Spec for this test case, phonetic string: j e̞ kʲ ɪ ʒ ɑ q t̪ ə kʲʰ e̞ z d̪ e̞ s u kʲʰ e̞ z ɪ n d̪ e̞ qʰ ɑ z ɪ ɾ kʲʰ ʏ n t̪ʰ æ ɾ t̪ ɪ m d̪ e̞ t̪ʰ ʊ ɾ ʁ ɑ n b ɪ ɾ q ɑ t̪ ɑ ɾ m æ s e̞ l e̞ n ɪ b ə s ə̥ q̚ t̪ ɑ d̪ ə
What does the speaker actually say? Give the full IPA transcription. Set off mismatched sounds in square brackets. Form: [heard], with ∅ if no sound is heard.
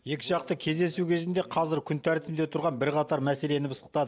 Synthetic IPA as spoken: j e̞ kʲ ɪ ʒ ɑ q t̪ ə kʲʰ e̞ z d̪ e̞ s u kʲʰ e̞ z ɪ n d̪ e̞ qʰ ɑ z ɪ ɾ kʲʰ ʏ n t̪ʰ æ ɾ t̪ ɪ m d̪ e̞ t̪ʰ ʊ ɾ ʁ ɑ n b ɪ ɾ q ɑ t̪ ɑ ɾ m æ s e̞ l e̞ n ɪ b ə s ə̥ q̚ t̪ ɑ d̪ ə